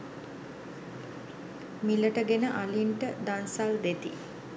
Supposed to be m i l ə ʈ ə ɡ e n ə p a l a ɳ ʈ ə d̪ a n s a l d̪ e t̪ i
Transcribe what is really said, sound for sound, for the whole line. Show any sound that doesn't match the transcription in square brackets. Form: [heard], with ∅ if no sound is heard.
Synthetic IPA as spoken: m i l ə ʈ ə ɡ e n ə [ʔ] a l [i] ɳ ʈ ə d̪ a n s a l d̪ e t̪ i